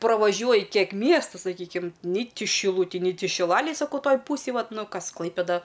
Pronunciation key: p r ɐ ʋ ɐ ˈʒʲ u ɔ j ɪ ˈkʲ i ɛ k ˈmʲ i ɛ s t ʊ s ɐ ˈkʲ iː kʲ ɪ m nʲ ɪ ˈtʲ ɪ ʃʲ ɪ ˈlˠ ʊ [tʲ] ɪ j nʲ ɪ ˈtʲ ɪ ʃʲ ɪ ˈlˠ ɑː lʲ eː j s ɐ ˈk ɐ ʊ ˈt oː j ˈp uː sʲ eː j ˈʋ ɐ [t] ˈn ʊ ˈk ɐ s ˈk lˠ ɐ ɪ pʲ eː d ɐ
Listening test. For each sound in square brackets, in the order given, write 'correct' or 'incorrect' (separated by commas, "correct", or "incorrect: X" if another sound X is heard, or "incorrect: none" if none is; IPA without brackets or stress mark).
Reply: correct, correct